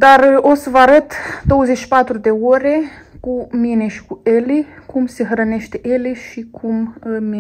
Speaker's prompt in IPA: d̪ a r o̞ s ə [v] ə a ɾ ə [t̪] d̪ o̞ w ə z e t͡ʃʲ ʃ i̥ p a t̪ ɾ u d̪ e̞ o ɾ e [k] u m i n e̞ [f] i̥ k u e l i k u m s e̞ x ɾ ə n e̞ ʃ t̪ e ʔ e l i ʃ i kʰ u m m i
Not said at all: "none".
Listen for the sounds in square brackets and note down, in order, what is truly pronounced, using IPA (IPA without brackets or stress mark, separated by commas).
v, t̪, k, ʃ